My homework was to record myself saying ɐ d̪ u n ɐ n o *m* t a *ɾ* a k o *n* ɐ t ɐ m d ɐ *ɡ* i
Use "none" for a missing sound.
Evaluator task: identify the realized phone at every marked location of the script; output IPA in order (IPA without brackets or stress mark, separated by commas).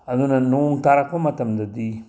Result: ŋ, ɾ, m, d